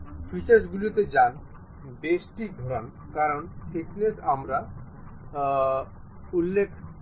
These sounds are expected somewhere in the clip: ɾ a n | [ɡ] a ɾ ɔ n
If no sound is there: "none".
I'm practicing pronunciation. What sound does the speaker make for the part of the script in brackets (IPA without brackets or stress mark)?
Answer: k